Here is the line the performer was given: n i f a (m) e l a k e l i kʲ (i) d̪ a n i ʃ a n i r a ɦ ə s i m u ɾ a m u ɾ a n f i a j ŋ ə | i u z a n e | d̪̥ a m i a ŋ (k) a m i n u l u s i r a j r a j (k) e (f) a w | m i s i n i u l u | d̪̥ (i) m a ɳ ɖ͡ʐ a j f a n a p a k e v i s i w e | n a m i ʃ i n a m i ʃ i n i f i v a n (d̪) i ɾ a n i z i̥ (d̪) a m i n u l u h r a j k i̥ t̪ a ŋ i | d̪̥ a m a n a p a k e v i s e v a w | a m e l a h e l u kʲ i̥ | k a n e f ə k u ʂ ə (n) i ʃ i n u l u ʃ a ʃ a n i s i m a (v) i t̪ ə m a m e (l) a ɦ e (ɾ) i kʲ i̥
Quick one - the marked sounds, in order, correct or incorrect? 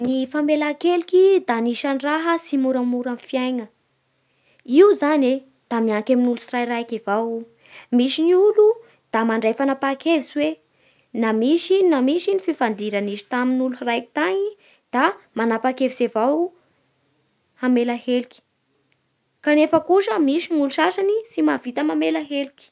correct, correct, correct, correct, incorrect: v, incorrect: a, correct, incorrect: t̪, incorrect: m, correct, correct, incorrect: l

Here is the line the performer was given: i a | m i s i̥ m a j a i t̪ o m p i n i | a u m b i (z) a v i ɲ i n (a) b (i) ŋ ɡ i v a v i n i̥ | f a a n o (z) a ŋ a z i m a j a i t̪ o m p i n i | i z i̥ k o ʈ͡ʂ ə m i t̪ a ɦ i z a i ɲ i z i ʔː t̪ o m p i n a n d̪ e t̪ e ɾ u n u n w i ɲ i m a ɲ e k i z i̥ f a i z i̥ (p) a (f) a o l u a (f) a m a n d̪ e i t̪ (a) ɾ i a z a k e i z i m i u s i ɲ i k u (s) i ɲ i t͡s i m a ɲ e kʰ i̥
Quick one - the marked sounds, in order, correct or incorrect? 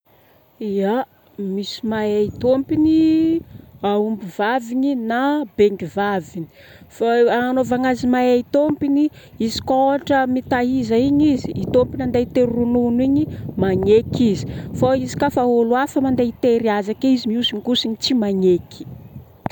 incorrect: v, correct, incorrect: e, incorrect: v, incorrect: k, correct, correct, incorrect: e, correct

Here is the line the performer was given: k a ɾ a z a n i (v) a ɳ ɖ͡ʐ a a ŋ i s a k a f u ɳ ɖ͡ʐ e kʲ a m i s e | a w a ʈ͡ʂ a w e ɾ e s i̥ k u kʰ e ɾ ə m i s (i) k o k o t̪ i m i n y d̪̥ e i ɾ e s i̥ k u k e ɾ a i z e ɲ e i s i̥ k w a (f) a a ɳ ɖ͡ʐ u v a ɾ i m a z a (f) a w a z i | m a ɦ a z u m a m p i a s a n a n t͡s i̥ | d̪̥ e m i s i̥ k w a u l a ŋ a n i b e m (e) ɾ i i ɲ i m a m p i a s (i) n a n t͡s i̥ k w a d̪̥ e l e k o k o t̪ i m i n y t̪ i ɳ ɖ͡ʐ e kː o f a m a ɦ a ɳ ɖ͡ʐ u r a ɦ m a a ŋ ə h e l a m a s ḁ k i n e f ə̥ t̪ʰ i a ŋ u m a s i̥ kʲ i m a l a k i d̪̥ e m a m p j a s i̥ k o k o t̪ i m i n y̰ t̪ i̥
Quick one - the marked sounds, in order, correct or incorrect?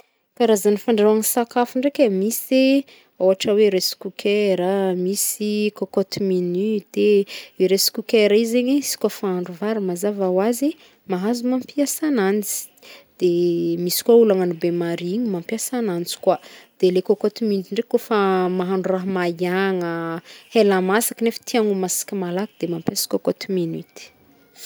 incorrect: f, correct, correct, incorrect: v, incorrect: a, incorrect: a

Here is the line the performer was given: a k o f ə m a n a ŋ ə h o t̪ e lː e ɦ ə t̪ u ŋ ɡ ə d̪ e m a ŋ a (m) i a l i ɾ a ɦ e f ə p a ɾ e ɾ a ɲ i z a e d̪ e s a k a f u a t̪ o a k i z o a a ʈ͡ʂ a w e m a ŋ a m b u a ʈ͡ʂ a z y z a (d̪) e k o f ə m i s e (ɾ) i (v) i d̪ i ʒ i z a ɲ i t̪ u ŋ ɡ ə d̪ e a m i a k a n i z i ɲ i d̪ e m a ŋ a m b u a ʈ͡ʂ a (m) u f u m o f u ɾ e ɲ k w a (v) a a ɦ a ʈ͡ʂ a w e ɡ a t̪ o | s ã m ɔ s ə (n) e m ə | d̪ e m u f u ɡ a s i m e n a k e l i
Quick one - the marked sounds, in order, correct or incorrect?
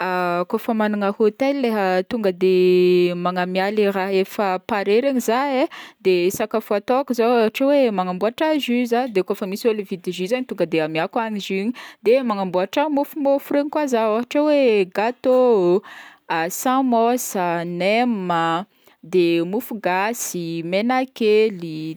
correct, correct, incorrect: l, correct, correct, incorrect: z, correct

